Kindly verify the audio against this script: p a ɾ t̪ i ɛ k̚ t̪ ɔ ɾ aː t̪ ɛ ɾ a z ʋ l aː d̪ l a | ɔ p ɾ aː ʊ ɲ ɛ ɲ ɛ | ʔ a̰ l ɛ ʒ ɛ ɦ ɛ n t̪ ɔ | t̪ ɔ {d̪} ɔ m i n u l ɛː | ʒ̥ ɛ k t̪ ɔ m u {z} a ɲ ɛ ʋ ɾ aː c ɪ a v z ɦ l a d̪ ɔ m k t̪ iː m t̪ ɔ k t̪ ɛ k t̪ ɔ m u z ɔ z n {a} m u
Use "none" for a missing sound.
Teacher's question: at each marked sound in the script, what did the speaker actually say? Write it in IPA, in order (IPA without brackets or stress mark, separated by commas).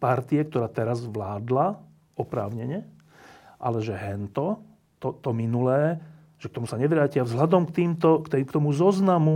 t̪, s, a